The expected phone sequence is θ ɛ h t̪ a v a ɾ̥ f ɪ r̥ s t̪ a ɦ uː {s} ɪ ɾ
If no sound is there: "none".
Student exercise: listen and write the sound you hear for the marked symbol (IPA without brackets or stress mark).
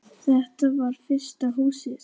s